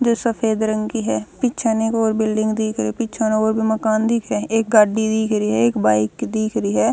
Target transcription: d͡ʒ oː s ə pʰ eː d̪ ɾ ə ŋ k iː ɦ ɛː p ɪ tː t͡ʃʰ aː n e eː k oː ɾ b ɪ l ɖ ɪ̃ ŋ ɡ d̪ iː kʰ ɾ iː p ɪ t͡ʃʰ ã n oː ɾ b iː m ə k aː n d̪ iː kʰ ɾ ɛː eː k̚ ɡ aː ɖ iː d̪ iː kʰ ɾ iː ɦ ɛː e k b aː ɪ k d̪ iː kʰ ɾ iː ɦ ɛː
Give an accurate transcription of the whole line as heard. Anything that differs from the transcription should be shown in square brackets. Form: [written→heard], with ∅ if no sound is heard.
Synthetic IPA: d͡ʒ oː s ə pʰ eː d̪ ɾ ə ŋ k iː ɦ ɛː p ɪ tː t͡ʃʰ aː n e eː k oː ɾ b ɪ l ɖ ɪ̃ ŋ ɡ d̪ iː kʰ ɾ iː p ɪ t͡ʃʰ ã n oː ɾ b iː m ə k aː n d̪ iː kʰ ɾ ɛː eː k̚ ɡ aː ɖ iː d̪ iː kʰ ɾ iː ɦ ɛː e k b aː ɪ k d̪ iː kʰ ɾ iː ɦ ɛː